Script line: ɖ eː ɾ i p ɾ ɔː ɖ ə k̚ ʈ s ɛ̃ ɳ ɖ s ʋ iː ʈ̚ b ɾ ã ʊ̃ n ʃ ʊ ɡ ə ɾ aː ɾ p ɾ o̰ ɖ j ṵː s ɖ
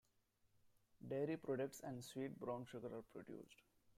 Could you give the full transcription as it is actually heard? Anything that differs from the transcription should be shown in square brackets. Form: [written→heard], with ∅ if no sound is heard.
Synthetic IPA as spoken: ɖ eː ɾ i p ɾ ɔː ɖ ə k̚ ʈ s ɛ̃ ɳ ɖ s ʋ iː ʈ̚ b ɾ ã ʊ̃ n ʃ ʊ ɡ ə ɾ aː ɾ p ɾ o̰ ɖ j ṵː s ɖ